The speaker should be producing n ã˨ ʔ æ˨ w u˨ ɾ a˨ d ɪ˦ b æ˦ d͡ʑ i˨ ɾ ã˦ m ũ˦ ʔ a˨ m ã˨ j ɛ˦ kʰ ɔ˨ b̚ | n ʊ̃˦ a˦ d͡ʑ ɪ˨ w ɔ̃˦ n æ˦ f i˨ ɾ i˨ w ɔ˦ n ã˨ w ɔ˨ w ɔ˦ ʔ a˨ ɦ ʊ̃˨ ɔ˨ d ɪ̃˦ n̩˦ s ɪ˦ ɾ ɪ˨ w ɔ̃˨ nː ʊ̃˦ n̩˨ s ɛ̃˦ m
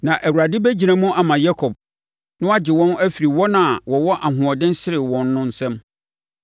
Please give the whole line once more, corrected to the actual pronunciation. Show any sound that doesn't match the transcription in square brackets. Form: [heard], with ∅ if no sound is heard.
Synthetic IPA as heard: n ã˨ ʔ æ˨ w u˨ ɾ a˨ d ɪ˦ b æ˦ d͡ʑ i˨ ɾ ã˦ m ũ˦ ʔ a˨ m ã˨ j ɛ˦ kʰ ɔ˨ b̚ | n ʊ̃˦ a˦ d͡ʑ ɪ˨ w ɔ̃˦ n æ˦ f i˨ ɾ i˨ w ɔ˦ n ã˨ w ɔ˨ w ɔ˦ ʔ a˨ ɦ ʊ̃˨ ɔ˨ d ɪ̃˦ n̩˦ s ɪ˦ ɾ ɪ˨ w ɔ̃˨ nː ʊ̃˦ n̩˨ s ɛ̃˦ m